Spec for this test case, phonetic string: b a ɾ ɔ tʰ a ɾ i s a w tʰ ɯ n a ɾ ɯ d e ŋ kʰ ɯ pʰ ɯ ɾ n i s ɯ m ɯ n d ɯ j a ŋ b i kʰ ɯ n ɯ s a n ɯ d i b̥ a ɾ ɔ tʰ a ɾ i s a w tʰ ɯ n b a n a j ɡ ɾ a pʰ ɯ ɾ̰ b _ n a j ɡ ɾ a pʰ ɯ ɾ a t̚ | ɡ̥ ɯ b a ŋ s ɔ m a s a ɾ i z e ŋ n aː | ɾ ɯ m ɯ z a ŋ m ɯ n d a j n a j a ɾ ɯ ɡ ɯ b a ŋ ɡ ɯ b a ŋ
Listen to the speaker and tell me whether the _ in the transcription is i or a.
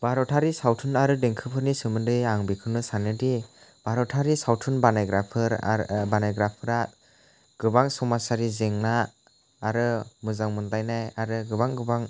a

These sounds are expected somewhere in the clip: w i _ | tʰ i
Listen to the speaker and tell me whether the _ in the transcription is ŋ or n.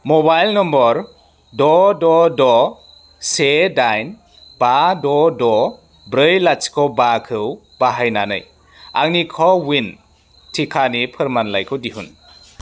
n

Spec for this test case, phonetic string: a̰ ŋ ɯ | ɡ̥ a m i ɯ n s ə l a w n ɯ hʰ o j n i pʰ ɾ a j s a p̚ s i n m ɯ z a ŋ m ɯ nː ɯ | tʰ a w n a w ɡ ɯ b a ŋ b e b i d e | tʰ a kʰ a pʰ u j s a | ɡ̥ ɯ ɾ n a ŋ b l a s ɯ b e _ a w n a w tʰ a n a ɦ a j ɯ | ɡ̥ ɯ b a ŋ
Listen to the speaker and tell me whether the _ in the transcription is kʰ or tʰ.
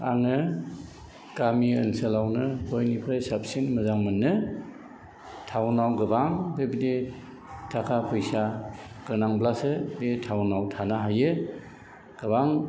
tʰ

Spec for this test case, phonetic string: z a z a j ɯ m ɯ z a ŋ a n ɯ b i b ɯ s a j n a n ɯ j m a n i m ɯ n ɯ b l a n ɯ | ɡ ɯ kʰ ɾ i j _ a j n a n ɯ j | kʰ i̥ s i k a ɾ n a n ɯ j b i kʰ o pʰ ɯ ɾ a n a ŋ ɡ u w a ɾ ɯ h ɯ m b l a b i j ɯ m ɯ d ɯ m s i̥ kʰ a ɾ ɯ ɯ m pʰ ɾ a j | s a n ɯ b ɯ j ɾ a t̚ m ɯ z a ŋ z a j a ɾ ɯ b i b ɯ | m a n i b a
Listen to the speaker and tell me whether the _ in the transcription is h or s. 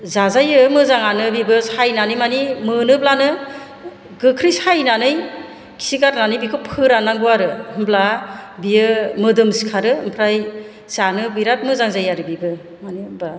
s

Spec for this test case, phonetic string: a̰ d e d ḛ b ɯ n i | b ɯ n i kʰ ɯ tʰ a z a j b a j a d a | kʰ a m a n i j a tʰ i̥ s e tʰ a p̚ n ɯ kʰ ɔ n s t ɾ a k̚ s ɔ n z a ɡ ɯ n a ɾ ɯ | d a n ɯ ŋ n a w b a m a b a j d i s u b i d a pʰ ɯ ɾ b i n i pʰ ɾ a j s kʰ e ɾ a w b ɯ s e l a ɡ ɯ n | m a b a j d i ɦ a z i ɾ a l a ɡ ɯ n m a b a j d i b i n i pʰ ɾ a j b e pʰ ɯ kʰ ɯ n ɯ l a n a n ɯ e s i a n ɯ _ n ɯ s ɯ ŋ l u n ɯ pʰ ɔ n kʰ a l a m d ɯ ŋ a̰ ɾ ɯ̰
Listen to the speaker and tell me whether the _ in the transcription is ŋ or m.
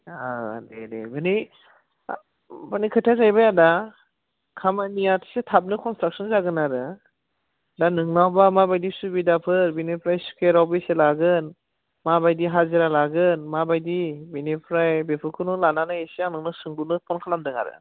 ŋ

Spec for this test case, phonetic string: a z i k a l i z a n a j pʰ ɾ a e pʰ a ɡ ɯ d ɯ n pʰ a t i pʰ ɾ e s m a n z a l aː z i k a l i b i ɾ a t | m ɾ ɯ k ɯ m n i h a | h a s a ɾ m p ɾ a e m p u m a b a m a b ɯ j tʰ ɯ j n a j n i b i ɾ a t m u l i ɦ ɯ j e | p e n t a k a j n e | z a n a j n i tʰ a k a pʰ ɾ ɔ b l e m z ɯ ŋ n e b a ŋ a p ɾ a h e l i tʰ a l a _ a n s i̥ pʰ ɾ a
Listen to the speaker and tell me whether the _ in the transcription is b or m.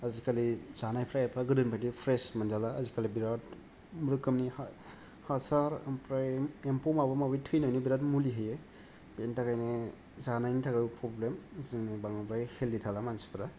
m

